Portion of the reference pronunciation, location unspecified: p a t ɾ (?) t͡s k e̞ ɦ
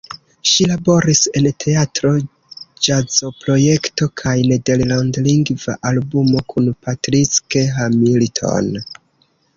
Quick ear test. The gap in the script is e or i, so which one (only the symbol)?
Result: i